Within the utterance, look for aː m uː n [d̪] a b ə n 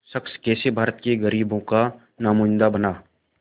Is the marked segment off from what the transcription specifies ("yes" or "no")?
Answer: no